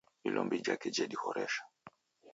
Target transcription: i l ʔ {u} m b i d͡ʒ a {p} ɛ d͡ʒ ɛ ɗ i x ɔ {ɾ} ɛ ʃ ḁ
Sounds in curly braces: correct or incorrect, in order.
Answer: incorrect: ɔ, incorrect: k, correct

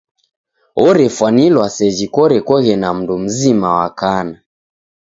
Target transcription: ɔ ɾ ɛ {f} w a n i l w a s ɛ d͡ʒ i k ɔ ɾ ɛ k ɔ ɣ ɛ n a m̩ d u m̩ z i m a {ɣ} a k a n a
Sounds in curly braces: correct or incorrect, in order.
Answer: correct, incorrect: w

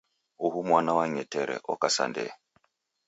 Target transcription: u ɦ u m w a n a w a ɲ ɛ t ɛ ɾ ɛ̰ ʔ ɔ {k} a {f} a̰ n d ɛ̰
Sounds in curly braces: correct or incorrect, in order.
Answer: correct, incorrect: s

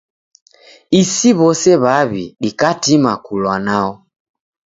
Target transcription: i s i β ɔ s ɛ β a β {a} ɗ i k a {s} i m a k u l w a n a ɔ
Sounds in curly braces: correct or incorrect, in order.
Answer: incorrect: i, incorrect: t

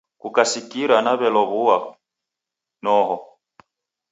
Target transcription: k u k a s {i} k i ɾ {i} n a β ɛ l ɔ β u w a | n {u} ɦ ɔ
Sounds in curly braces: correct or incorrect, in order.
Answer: correct, incorrect: a, incorrect: ɔ

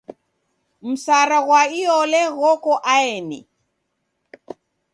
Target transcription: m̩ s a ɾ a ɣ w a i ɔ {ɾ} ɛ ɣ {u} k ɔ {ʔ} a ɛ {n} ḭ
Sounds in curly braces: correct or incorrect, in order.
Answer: incorrect: l, incorrect: ɔ, correct, correct

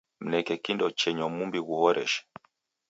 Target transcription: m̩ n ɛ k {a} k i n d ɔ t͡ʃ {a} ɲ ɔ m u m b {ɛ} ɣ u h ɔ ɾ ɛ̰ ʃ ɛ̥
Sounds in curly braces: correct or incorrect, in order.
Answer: incorrect: ɛ, incorrect: ɛ, incorrect: i

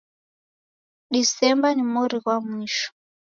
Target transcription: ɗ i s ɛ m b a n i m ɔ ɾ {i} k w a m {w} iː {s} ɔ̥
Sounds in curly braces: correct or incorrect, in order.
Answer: correct, correct, incorrect: ʃ

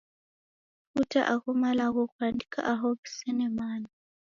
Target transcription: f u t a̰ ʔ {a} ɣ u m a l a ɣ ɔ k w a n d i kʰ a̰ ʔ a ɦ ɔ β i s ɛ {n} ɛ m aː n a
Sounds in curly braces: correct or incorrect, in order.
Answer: correct, correct

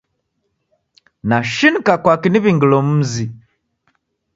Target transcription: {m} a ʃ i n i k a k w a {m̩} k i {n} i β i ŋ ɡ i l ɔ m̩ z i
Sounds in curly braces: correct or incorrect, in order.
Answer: incorrect: n, incorrect: none, correct

